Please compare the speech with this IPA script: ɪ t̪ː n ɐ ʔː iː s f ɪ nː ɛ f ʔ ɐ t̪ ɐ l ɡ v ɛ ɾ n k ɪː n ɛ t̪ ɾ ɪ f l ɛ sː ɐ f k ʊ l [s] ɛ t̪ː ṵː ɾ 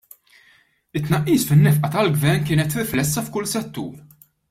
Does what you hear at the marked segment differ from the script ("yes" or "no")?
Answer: no